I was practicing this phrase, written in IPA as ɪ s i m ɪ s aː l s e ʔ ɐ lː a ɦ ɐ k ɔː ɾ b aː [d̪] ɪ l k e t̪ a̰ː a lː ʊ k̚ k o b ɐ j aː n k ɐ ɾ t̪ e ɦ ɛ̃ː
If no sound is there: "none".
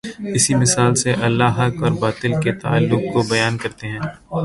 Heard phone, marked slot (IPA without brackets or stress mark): t̪